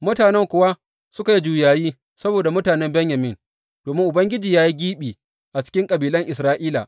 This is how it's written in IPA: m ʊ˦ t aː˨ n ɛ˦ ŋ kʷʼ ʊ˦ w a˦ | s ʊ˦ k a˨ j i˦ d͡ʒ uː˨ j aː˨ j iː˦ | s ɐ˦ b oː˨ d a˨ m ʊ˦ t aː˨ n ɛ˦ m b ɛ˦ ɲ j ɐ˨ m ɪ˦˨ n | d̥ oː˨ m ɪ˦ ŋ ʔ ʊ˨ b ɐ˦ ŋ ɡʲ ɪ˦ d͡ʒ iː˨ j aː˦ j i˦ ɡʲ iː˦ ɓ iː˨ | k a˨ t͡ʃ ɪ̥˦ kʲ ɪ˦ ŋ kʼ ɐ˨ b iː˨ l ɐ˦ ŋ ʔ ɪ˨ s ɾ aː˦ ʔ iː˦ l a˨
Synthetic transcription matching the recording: m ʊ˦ t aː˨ n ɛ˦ ŋ kʷ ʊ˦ w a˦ | s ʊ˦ k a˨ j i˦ d͡ʒ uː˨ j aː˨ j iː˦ | s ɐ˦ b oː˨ d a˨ m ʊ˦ t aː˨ n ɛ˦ m b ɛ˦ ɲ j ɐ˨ m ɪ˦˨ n | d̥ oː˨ m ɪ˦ ŋ ʔ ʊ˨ b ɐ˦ ŋ ɡʲ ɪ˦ d͡ʒ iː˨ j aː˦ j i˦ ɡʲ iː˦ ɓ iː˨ | ʔ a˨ t͡ʃ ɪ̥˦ kʲ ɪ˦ ŋ kʼ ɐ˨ b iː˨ l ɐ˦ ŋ ʔ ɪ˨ s ɾ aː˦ ʔ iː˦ l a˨